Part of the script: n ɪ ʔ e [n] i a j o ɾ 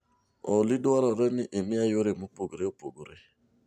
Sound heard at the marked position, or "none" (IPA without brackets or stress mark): m